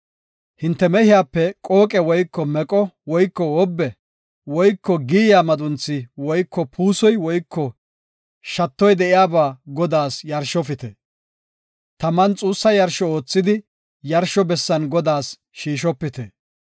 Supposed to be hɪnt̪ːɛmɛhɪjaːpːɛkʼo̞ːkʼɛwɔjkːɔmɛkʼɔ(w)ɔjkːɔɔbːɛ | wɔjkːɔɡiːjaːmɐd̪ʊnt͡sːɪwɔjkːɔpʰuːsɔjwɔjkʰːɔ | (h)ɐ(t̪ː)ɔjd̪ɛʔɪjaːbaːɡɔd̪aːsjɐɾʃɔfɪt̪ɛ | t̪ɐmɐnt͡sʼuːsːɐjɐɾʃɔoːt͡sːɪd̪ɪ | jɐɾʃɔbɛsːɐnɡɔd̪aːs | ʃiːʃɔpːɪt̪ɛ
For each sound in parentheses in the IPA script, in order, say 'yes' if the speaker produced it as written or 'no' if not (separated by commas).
yes, no, yes